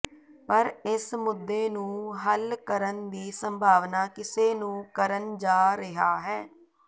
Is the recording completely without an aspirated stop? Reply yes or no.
yes